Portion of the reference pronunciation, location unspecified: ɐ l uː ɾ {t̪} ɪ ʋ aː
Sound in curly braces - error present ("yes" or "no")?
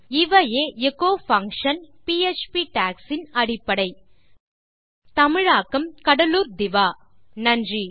yes